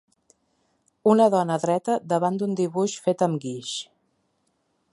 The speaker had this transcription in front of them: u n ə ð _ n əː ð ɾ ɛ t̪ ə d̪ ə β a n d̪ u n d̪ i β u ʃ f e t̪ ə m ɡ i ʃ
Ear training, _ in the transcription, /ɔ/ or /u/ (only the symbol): ɔ